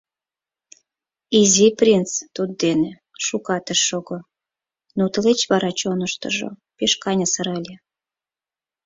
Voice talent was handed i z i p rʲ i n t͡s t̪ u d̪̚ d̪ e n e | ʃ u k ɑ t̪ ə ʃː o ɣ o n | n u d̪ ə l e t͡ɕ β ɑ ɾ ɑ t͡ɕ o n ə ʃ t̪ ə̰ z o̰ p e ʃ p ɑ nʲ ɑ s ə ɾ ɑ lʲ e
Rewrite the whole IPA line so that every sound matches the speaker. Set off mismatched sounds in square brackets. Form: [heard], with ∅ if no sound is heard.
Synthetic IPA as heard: i z i p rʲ i n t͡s t̪ u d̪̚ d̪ e n e | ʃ u k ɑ t̪ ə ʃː o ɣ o [∅] | n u [t̪] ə l e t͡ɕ β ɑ ɾ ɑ t͡ɕ o n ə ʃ t̪ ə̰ [ʒ] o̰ p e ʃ [k] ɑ nʲ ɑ s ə ɾ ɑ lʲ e